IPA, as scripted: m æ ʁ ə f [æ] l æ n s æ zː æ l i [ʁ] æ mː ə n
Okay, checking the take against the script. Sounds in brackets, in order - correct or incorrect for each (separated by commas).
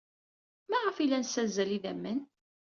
incorrect, incorrect